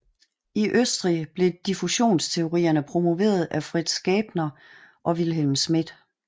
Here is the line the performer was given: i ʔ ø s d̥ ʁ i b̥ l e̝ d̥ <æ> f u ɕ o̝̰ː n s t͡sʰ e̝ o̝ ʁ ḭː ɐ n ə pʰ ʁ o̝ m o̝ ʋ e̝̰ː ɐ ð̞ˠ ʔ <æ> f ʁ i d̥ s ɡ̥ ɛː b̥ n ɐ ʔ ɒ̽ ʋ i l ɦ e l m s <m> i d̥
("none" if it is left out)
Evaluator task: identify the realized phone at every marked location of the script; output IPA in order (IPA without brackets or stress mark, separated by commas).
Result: i, æ, m